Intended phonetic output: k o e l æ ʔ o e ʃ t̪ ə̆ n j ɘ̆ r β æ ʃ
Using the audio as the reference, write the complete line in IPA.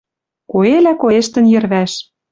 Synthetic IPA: k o e l æ k o e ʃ t̪ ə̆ n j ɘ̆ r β æ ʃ